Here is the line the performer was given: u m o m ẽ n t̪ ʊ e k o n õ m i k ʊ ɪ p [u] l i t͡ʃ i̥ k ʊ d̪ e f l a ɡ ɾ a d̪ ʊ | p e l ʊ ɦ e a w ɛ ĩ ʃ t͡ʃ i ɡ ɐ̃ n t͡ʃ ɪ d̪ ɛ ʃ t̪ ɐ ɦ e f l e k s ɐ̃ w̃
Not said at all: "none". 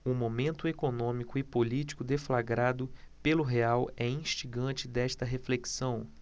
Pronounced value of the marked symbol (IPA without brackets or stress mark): o